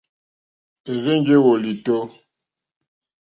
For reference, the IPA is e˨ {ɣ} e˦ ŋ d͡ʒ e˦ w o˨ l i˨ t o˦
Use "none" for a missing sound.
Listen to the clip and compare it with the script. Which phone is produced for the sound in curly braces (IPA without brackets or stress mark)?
ɣ